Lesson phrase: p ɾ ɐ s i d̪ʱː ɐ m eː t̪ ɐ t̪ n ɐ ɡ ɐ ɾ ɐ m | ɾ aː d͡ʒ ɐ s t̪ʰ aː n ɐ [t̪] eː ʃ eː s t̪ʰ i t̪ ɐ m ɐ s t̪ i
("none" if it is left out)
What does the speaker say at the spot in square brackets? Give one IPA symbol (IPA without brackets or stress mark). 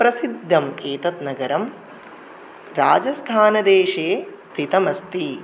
d̪